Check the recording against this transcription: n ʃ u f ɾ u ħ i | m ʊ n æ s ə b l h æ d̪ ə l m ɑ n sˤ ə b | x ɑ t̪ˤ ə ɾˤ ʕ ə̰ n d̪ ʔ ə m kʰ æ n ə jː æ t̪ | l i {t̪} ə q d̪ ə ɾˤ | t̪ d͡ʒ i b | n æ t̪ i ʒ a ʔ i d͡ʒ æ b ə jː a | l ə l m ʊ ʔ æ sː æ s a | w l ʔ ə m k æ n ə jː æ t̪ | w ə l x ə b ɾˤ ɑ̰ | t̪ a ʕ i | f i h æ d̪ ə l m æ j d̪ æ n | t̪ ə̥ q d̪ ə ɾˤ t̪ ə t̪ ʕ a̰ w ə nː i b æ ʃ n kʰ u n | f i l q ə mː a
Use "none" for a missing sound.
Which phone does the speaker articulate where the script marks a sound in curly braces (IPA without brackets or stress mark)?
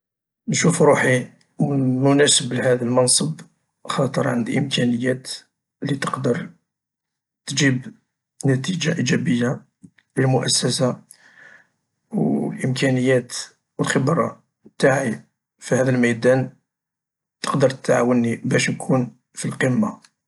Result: t̪